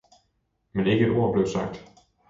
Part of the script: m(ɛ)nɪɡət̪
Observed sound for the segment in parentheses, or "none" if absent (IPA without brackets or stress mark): ɛ